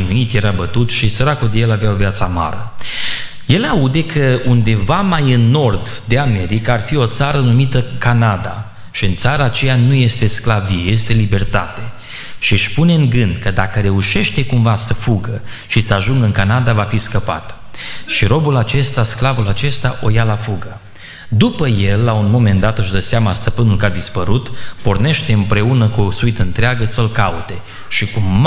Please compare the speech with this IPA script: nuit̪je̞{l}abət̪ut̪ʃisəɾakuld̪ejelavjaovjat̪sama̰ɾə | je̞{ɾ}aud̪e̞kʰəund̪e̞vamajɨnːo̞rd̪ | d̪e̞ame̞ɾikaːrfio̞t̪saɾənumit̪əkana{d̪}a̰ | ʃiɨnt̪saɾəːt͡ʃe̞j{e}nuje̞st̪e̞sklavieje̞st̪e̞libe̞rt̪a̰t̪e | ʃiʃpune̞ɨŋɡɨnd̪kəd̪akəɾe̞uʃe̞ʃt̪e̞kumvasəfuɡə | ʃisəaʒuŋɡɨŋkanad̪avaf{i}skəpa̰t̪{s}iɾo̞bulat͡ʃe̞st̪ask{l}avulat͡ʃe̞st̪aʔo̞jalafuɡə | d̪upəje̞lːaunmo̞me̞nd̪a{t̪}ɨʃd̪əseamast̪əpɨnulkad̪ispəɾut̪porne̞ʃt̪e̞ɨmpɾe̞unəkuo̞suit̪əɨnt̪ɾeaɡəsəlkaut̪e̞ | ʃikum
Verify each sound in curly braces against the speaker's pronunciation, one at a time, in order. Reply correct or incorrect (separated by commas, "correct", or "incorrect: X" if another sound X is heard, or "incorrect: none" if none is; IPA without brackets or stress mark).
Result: incorrect: ɾ, incorrect: l, correct, incorrect: a, correct, incorrect: ʃ, correct, correct